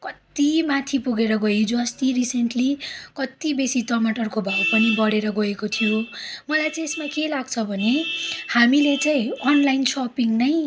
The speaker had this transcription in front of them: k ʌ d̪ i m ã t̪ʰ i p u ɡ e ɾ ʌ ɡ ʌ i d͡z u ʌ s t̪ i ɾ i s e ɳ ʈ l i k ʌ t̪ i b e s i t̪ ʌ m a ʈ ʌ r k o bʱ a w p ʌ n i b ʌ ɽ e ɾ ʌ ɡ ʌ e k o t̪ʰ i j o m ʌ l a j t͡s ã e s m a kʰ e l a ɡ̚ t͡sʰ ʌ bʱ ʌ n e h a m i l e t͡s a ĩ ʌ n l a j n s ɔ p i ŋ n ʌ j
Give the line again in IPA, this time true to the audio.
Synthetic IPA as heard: k ʌ t̪ i m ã t̪ʰ i p u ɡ e ɾ ʌ ɡ ʌ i d͡z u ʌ s t̪ i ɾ i s e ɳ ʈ l i k ʌ t̪ i b e s i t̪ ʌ m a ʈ ʌ r k o bʱ a w p ʌ n i b ʌ ɽ e ɾ ʌ ɡ ʌ e k o t̪ʰ i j o m ʌ l a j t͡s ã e s m a k e l a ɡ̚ t͡sʰ ʌ bʱ ʌ n e h a m i l e t͡s a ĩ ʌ n l a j n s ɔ p i ŋ n ʌ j

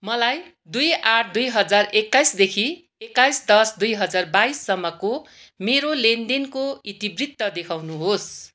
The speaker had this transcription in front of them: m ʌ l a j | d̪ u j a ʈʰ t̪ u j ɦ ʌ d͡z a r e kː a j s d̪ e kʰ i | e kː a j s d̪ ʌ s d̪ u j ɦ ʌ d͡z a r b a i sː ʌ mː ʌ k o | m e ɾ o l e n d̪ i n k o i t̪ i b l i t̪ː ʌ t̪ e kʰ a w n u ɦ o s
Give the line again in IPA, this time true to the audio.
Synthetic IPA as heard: m ʌ l a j | d̪ u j a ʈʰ d̪ u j ɦ ʌ d͡z a r e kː a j s d̪ e kʰ i | e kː a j s d̪ ʌ s d̪ u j ɦ ʌ d͡z a r b a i sː ʌ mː ʌ k o | m e ɾ o l e n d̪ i n k o i t̪ i b r i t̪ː ʌ d̪ e kʰ a w n u ɦ o s

